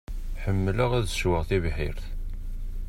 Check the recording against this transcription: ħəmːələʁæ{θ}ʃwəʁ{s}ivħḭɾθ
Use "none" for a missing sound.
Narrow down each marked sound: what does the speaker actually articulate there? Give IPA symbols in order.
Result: ð, θ

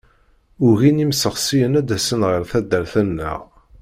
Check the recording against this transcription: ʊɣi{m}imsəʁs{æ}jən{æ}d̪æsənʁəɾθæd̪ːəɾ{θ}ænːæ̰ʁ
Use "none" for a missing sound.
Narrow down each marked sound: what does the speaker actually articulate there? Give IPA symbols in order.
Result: n, i, æ, θ

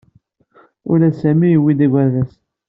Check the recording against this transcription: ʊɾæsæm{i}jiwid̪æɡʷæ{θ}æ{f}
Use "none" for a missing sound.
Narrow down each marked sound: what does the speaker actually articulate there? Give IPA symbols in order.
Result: i, ð, s

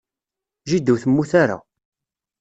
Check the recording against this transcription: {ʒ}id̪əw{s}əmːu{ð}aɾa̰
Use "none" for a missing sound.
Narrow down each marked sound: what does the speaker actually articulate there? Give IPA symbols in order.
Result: ʒ, θ, θ

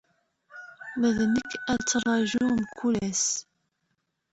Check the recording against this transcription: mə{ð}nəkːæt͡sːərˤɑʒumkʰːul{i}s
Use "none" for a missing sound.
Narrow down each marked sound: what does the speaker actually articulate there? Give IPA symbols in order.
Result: ð, æ

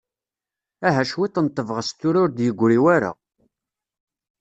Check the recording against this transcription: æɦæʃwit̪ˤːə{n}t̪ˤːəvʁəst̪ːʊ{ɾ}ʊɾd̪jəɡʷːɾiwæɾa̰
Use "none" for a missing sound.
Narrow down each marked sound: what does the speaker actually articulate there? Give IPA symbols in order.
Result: n, ɾ

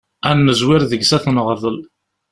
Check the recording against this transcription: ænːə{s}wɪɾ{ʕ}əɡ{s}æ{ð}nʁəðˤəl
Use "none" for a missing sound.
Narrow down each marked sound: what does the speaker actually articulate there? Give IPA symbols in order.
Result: z, ð, s, θ

